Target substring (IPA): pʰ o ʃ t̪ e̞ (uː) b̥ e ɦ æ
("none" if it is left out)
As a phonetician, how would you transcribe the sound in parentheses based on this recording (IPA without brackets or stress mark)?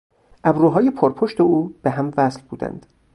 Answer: uː